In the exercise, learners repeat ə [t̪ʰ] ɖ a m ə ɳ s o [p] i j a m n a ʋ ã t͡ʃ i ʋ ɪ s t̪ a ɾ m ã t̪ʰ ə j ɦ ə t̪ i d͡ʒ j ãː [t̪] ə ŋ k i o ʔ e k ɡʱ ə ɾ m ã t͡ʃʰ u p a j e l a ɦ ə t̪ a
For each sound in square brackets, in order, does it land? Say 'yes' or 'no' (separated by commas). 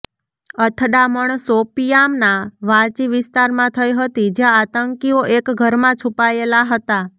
yes, yes, yes